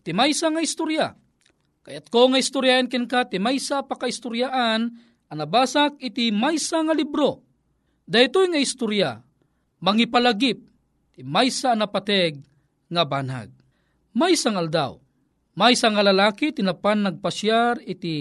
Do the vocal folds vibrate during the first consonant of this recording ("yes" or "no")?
no